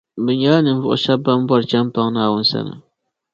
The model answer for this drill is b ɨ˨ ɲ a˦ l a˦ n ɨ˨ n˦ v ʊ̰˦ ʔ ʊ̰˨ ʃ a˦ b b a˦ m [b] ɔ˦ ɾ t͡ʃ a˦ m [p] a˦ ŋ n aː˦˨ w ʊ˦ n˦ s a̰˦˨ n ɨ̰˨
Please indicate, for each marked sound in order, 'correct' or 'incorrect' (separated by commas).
correct, correct